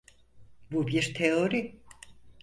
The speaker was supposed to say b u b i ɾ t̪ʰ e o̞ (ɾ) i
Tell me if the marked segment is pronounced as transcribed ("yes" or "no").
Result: yes